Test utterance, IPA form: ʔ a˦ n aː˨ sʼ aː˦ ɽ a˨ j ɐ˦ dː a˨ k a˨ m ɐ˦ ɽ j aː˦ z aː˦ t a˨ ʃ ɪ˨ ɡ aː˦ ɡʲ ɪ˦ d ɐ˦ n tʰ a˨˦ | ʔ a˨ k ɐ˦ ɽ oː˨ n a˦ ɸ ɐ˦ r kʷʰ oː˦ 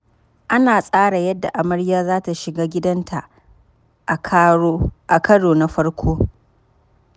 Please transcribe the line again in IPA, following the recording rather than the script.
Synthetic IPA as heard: ʔ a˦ n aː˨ sʼ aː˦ ɽ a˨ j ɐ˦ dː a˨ ʔ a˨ m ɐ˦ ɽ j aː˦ z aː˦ t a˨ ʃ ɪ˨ ɡ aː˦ ɡʲ ɪ˦ d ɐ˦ n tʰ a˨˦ | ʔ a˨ k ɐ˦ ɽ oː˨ n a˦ ɸ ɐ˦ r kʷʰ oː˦